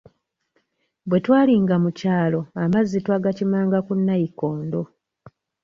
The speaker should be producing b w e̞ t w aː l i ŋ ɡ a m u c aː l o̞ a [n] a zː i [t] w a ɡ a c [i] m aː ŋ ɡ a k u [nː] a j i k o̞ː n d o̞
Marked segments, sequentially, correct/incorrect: incorrect, correct, correct, correct

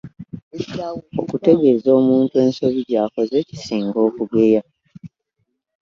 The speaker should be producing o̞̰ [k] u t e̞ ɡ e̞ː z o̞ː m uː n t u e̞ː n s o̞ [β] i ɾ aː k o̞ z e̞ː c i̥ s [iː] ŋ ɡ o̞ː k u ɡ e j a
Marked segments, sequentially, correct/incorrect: correct, correct, correct

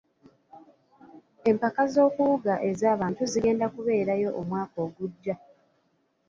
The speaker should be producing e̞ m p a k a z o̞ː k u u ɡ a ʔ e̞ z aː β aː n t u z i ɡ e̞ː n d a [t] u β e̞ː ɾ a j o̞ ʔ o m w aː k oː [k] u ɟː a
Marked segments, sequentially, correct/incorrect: incorrect, incorrect

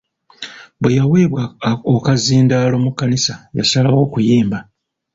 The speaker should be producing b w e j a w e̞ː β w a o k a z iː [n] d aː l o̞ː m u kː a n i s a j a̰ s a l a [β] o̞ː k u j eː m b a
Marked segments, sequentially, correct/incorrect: correct, incorrect

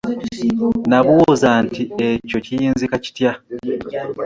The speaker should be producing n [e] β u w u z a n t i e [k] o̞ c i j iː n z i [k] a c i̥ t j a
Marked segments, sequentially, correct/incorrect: incorrect, incorrect, correct

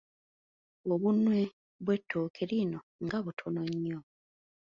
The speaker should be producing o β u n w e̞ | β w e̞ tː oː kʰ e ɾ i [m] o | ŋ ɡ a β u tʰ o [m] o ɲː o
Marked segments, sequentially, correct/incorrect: incorrect, incorrect

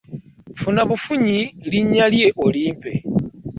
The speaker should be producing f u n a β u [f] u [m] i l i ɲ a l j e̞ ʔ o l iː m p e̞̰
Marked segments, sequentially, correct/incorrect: correct, incorrect

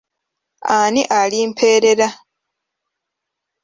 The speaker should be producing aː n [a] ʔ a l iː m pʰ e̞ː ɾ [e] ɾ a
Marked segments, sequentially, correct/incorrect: incorrect, correct

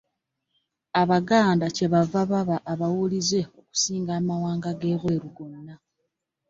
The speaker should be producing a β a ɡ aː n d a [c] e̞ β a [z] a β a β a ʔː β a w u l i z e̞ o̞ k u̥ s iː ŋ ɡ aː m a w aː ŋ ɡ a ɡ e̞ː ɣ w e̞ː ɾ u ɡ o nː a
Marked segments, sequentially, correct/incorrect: correct, incorrect

